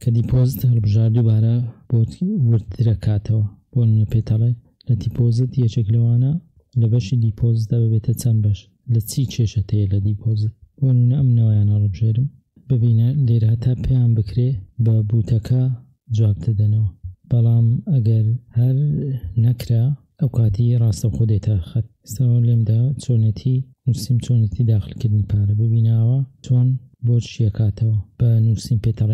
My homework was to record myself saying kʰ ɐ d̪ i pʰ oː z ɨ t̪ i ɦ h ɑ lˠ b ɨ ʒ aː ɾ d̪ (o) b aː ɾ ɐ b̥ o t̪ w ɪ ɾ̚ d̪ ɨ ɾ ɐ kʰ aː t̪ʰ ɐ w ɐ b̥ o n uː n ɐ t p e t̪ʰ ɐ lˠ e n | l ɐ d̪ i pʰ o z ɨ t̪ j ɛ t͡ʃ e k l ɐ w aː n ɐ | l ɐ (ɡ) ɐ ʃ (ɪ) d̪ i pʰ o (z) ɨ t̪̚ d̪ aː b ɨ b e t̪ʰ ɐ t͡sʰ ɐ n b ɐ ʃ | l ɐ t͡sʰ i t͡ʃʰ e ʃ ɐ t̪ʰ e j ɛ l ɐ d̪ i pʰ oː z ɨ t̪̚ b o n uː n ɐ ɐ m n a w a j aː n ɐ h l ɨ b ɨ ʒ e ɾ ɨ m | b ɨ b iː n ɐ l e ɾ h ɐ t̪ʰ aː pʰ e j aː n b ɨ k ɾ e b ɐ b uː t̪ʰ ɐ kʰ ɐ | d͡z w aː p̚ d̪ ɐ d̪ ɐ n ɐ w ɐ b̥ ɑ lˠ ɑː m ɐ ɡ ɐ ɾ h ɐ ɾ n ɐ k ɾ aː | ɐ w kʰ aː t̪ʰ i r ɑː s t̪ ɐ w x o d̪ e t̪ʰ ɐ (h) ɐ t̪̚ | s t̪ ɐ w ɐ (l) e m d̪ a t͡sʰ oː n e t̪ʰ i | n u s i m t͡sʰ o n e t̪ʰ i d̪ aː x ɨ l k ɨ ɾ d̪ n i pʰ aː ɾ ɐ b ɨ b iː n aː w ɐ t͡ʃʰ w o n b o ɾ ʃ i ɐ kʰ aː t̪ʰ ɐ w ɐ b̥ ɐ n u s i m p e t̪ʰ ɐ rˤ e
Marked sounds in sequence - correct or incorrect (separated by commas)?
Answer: incorrect, incorrect, incorrect, correct, incorrect, correct